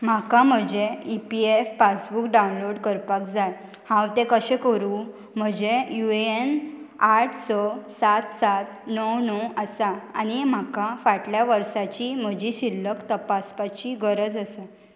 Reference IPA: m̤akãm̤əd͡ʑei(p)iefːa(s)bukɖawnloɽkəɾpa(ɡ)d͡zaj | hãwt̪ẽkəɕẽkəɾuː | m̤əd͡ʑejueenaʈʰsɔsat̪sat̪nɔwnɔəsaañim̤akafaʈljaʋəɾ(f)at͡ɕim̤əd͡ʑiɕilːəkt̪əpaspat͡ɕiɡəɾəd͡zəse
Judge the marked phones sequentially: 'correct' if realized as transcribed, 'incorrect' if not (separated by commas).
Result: correct, correct, incorrect, incorrect